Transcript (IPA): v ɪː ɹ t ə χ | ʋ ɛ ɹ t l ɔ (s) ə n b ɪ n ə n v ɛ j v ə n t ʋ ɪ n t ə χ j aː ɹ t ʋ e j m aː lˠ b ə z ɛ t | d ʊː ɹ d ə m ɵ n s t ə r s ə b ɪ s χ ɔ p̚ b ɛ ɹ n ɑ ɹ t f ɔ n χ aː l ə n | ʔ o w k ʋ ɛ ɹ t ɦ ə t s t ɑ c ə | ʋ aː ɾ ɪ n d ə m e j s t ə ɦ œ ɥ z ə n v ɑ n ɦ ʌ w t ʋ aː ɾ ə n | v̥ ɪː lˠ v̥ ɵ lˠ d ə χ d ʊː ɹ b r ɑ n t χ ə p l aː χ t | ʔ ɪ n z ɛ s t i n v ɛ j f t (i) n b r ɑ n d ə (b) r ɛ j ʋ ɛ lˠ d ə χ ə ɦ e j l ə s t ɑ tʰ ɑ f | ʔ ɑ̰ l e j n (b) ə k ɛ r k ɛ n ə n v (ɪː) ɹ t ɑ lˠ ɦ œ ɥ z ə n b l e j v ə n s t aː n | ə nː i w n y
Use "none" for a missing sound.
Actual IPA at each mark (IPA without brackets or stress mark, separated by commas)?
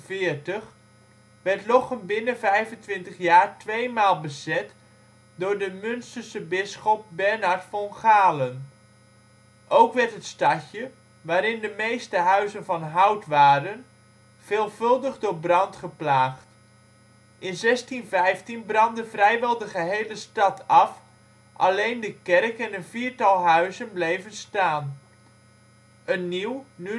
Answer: χ, i, v, d, iː